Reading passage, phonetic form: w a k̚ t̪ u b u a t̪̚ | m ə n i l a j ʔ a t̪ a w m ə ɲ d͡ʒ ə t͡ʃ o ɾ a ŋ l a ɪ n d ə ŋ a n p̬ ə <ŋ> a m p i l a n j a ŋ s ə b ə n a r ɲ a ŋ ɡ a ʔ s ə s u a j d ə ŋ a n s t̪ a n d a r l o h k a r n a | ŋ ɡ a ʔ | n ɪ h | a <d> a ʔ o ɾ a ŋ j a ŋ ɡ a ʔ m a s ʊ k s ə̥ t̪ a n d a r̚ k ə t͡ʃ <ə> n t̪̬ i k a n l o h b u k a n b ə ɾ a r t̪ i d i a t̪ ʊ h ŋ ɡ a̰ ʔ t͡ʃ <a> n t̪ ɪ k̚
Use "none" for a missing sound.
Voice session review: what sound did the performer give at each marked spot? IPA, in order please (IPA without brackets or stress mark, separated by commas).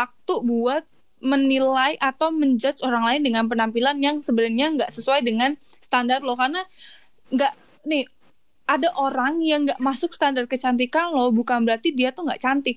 n, d, a, a